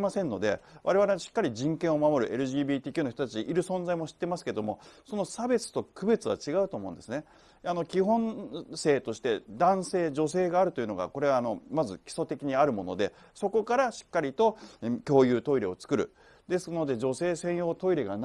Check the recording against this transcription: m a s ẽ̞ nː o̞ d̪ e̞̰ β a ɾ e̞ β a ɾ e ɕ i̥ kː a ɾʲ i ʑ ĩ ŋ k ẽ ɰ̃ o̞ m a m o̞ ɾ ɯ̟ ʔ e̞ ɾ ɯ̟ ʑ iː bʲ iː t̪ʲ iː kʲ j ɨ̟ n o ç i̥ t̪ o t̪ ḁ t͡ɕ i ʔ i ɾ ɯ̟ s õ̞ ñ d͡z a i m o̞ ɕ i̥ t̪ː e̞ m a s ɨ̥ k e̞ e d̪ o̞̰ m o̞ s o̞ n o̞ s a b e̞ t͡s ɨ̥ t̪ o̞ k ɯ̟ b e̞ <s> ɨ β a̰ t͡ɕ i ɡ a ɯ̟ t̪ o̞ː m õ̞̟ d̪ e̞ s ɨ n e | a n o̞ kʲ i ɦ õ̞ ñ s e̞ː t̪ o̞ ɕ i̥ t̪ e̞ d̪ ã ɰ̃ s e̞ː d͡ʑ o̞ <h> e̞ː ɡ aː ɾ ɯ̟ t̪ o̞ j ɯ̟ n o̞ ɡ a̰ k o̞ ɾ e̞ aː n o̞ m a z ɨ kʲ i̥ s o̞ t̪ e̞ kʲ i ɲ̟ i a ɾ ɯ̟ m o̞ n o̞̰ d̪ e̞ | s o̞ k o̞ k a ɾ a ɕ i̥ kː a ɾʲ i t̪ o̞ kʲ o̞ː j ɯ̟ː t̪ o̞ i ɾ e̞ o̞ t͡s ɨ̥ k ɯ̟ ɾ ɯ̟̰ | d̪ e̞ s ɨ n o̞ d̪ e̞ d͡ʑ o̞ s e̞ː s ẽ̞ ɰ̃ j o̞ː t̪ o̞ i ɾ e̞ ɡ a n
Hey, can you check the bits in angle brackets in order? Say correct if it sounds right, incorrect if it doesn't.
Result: incorrect, incorrect

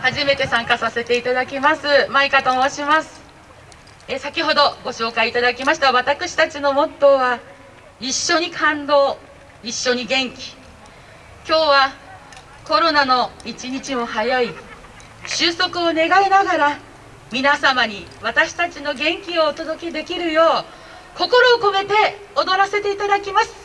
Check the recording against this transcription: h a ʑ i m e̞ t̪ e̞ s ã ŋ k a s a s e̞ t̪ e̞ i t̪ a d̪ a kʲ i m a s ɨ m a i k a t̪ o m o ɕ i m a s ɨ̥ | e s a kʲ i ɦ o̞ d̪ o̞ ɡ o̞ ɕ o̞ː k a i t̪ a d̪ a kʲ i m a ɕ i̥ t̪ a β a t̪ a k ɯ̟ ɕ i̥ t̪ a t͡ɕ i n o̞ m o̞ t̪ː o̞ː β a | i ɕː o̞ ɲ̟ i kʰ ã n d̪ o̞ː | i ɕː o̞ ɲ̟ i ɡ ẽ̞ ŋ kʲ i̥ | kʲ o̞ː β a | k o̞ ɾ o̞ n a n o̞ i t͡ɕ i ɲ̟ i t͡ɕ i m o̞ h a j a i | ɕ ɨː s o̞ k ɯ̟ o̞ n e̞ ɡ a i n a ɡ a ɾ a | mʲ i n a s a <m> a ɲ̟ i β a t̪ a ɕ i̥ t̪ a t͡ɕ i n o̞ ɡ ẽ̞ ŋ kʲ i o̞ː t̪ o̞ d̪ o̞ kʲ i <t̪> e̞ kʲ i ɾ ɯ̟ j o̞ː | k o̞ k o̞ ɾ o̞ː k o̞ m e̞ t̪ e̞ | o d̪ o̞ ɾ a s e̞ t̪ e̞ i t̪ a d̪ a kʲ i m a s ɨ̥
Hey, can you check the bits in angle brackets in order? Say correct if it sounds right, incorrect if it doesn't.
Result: correct, incorrect

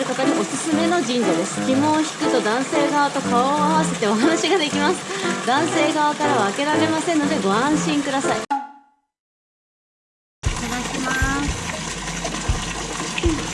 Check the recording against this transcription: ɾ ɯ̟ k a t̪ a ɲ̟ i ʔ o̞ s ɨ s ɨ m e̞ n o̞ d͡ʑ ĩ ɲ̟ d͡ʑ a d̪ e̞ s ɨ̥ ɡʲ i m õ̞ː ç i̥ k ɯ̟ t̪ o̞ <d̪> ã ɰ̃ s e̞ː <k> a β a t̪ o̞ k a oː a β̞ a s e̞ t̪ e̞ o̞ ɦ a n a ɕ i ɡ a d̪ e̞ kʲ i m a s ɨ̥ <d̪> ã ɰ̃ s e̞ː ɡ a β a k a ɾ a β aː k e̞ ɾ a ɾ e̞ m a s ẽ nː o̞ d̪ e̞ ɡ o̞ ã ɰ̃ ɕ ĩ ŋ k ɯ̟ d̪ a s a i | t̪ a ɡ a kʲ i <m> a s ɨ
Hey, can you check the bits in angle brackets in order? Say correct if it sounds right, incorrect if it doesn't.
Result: correct, incorrect, correct, correct

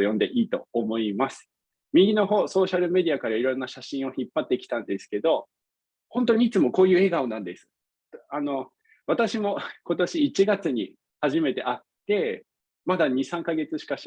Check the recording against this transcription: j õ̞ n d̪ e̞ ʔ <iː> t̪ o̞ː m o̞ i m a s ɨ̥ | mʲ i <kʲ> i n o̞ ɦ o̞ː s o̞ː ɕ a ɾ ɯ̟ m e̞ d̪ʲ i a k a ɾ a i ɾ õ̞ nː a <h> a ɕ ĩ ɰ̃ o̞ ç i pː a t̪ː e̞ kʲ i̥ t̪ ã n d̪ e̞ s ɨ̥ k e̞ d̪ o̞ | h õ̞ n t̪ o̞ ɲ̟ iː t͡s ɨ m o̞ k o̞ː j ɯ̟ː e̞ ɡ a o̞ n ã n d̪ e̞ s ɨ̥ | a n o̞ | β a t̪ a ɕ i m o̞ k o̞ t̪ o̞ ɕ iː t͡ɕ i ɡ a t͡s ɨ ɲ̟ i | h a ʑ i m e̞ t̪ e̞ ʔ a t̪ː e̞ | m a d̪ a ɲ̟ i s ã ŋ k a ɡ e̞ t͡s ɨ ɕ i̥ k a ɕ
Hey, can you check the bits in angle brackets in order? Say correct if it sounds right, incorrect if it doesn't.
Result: correct, incorrect, incorrect

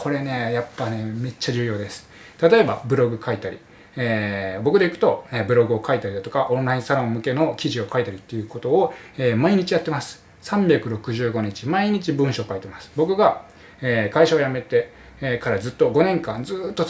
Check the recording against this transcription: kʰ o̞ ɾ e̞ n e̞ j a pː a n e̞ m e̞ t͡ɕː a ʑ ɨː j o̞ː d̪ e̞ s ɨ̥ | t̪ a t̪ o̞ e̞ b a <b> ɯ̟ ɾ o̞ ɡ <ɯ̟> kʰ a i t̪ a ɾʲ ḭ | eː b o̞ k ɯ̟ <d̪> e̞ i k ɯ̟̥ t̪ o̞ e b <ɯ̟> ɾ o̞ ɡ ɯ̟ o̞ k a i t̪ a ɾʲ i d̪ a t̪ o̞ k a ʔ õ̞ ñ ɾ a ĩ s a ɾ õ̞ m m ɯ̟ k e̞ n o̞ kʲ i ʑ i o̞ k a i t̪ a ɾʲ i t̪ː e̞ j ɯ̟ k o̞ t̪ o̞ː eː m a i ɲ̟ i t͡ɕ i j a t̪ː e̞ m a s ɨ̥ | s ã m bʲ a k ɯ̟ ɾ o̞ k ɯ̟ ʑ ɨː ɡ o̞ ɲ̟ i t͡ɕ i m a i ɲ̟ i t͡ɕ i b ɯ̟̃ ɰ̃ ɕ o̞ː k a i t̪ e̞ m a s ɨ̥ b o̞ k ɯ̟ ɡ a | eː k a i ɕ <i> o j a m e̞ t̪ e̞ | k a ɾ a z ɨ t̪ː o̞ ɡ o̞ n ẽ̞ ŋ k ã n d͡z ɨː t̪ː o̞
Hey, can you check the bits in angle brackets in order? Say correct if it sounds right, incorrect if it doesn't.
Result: correct, correct, correct, correct, incorrect

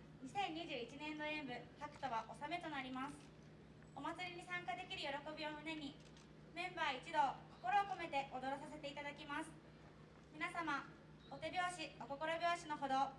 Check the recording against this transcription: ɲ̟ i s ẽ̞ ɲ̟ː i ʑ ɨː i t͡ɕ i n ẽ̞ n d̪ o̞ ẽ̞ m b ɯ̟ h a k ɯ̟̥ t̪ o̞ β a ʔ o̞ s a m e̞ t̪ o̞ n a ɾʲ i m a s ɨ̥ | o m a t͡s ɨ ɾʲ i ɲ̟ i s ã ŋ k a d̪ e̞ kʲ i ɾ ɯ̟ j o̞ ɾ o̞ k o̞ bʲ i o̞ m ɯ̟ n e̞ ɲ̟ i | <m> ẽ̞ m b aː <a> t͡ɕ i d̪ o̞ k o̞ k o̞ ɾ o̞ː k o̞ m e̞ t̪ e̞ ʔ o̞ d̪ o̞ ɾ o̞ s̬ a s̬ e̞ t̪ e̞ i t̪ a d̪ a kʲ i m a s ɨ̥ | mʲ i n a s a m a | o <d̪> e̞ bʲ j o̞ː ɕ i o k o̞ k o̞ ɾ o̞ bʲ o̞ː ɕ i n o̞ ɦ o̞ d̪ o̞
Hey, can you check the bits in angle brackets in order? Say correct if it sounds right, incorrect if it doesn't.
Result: correct, incorrect, incorrect

